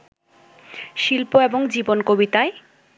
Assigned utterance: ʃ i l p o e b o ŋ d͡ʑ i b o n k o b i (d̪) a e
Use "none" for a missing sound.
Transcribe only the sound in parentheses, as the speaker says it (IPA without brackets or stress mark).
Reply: t̪